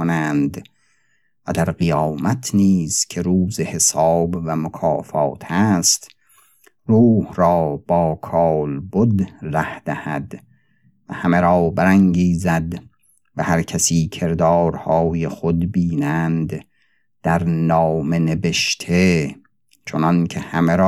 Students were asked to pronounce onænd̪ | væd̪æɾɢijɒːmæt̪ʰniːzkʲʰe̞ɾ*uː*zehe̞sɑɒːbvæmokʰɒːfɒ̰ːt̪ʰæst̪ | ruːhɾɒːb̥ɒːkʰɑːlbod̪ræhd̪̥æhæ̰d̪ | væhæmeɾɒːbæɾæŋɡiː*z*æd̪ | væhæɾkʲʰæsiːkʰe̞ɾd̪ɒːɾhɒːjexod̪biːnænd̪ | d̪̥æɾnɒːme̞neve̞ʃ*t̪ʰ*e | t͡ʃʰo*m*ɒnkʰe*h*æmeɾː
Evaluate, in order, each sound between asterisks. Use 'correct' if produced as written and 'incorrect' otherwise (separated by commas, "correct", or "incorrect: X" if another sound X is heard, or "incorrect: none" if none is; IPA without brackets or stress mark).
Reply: correct, correct, correct, incorrect: n, correct